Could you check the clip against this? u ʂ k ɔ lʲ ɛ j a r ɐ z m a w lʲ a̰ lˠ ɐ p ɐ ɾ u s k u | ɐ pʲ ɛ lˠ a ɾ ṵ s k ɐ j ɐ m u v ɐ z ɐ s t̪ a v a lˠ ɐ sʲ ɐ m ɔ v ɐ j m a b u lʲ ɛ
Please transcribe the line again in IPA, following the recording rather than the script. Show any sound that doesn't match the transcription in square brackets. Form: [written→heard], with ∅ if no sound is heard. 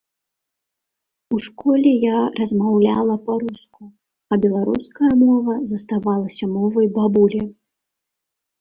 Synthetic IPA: u ʂ k ɔ lʲ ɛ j a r ɐ z m a w lʲ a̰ lˠ ɐ p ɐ ɾ u s k u | ɐ [pʲ→bʲ] ɛ lˠ a ɾ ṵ s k ɐ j ɐ m [u→ɔ] v ɐ z ɐ s t̪ a v a lˠ ɐ sʲ ɐ m ɔ v ɐ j [m→b] a b u lʲ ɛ

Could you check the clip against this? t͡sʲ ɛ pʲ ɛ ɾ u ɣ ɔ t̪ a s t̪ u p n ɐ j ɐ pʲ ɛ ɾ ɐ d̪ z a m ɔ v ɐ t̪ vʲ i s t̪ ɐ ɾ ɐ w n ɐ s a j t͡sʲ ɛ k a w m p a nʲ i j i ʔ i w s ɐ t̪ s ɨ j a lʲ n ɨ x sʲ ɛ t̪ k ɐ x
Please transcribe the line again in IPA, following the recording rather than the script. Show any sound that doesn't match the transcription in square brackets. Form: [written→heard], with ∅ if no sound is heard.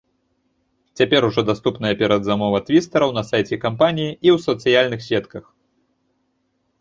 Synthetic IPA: t͡sʲ [ɛ→a] pʲ ɛ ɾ u [ɣ→ʐ] ɔ [t̪→d̪] a s t̪ u p n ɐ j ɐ pʲ ɛ ɾ ɐ d̪ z a m ɔ v ɐ t̪ vʲ i s t̪ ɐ ɾ ɐ w n ɐ s a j t͡sʲ ɛ k a [w→∅] m p a nʲ i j i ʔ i w s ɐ t̪ s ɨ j a lʲ n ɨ x sʲ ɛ t̪ k ɐ x

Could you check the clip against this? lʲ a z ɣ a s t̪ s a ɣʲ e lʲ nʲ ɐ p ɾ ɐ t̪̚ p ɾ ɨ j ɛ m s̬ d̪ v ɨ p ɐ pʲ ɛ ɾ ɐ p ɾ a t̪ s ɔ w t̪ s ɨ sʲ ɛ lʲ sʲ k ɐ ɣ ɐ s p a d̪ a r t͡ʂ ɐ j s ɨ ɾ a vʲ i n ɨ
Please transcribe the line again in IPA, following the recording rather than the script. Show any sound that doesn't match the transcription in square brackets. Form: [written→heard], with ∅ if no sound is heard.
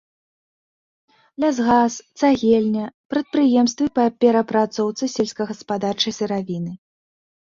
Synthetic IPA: lʲ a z ɣ a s t̪ s a ɣʲ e lʲ nʲ ɐ p ɾ ɐ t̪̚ p ɾ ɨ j ɛ m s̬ [d̪→t̪] v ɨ p ɐ pʲ ɛ ɾ ɐ p ɾ a t̪ s ɔ w t̪ s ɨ sʲ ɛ lʲ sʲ k ɐ ɣ ɐ s p a d̪ a r t͡ʂ ɐ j s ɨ ɾ a vʲ i n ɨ

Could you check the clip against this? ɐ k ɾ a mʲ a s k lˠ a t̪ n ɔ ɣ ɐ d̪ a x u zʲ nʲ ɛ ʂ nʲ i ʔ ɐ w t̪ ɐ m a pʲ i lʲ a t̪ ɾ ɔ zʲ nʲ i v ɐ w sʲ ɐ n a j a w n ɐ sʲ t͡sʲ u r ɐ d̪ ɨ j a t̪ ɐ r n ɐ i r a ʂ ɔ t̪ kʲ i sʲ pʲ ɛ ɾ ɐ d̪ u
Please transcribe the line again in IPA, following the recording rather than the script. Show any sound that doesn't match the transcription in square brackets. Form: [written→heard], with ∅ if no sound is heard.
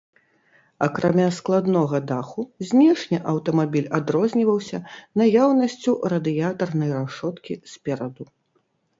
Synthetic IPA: ɐ k ɾ a mʲ a s k lˠ a [t̪→d̪] n ɔ ɣ ɐ d̪ a x u zʲ nʲ ɛ ʂ nʲ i ʔ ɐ w t̪ ɐ m a [pʲ→bʲ] i lʲ a [t̪→d̪] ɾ ɔ zʲ nʲ i v ɐ w sʲ ɐ n a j a w n ɐ sʲ t͡sʲ u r ɐ d̪ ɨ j a t̪ ɐ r n ɐ [i→j] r a ʂ ɔ t̪ kʲ i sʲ pʲ ɛ ɾ ɐ d̪ u

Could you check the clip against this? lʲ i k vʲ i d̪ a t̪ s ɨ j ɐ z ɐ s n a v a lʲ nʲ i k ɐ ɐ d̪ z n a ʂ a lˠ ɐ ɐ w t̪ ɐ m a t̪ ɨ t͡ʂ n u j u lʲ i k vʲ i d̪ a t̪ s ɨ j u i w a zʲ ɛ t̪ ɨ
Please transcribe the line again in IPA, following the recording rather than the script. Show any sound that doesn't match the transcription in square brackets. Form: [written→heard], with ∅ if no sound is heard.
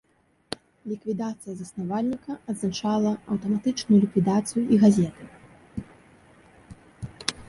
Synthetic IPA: lʲ i k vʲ i d̪ a t̪ s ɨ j ɐ z ɐ s n a v a lʲ nʲ i k ɐ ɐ d̪ z n a [ʂ→t͡ʂ] a lˠ ɐ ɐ w t̪ ɐ m a t̪ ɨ t͡ʂ n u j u lʲ i k vʲ i d̪ a t̪ s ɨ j u i [w→ɣ] a zʲ ɛ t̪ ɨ

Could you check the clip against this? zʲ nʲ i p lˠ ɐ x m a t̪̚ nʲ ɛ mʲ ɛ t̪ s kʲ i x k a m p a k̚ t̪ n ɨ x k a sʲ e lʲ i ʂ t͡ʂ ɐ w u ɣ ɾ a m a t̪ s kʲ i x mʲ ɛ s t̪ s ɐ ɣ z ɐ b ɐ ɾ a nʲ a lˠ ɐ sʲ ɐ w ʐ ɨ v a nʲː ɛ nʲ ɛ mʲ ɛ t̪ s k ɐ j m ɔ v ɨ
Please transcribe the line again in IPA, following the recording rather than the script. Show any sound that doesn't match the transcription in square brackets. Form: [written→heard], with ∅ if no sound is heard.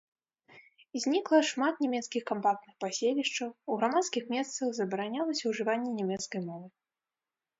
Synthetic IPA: zʲ nʲ i [p→k] lˠ ɐ [x→ʂ] m a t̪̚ nʲ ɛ mʲ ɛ t̪ s kʲ i x k a m p a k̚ t̪ n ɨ x [k→p] a sʲ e lʲ i ʂ t͡ʂ ɐ w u ɣ ɾ a m a t̪ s kʲ i x mʲ ɛ s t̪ s ɐ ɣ z ɐ b ɐ ɾ a nʲ a lˠ ɐ sʲ ɐ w ʐ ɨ v a nʲː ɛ nʲ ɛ mʲ ɛ t̪ s k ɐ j m ɔ v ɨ

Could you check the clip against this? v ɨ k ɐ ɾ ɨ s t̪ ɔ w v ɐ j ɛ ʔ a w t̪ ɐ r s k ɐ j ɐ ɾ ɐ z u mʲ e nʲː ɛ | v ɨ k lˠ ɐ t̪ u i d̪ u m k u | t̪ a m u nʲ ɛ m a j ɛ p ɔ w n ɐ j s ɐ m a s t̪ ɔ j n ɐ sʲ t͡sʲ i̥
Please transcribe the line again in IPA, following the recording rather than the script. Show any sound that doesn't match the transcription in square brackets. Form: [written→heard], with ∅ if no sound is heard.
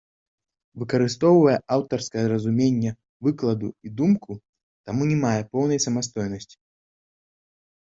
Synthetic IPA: v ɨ k ɐ ɾ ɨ s t̪ ɔ w v ɐ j ɛ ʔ a w t̪ ɐ r s k ɐ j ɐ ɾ ɐ z u mʲ e nʲː ɛ | v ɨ k lˠ ɐ [t̪→d̪] u i d̪ u m k u | t̪ a m u nʲ ɛ m a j ɛ p ɔ w n ɐ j s ɐ m a s t̪ ɔ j n ɐ sʲ t͡sʲ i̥

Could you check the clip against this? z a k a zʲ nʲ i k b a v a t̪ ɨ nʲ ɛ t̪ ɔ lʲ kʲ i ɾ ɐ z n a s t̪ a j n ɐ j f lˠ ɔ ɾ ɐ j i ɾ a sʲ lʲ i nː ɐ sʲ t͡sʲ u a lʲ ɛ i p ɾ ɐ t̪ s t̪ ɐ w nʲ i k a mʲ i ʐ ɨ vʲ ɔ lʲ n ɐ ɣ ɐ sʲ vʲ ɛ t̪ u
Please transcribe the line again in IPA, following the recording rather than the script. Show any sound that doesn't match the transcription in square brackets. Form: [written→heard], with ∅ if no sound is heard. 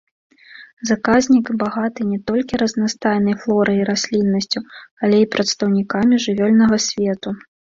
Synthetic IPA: z a k a zʲ nʲ i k b a [v→ɣ] a t̪ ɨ nʲ ɛ t̪ ɔ lʲ kʲ i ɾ ɐ z n a s t̪ a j n ɐ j f lˠ ɔ ɾ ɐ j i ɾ a sʲ lʲ i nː ɐ sʲ t͡sʲ u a lʲ ɛ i p ɾ ɐ t̪ s t̪ ɐ w nʲ i k a mʲ i ʐ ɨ vʲ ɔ lʲ n ɐ ɣ ɐ sʲ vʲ ɛ t̪ u

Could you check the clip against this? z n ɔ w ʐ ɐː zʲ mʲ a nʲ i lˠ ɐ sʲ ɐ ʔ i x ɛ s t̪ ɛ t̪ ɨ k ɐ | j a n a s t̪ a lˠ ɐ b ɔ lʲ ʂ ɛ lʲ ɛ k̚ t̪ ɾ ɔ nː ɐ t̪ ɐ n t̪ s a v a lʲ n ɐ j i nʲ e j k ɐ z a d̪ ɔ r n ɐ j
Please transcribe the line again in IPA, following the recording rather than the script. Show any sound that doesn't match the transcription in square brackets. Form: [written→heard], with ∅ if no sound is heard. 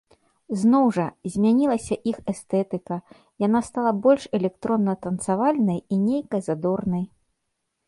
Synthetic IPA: z n ɔ w ʐ [ɐː→ɐ] zʲ mʲ a nʲ i lˠ ɐ sʲ ɐ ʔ i x ɛ s t̪ ɛ t̪ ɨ k ɐ | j a n a s t̪ a lˠ ɐ b ɔ lʲ ʂ ɛ lʲ ɛ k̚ t̪ ɾ ɔ nː ɐ t̪ ɐ n t̪ s a v a lʲ n ɐ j i nʲ e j k ɐ z a d̪ ɔ r n ɐ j

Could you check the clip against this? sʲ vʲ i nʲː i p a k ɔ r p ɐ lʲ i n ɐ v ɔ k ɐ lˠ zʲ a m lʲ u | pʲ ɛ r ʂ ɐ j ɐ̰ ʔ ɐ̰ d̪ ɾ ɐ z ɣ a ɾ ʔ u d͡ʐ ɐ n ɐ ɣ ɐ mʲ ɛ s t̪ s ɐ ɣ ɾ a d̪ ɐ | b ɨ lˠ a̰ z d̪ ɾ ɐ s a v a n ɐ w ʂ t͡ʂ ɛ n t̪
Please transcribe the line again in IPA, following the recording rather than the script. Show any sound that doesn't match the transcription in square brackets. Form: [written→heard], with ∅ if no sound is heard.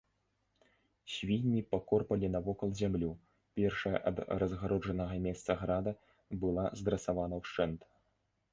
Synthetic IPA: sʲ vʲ i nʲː i p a k ɔ r p ɐ lʲ i n ɐ v ɔ k ɐ lˠ zʲ a m lʲ u | pʲ ɛ r ʂ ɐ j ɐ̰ ʔ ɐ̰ d̪ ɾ ɐ z ɣ a ɾ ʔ [u→ɔ] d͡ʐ ɐ n ɐ ɣ ɐ mʲ ɛ s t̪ s ɐ ɣ ɾ a d̪ ɐ | b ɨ lˠ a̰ z d̪ ɾ ɐ s a v a n ɐ w ʂ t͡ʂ ɛ n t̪

